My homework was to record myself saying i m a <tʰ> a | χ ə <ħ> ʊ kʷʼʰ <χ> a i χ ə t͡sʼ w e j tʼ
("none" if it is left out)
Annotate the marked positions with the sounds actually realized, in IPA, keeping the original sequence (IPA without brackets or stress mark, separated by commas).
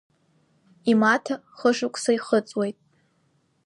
tʰ, ʂ, s